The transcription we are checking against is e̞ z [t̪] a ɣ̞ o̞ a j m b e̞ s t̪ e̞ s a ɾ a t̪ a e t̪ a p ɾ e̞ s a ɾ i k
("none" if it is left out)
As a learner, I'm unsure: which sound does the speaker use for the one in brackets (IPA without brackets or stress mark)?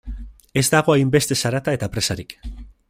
d̪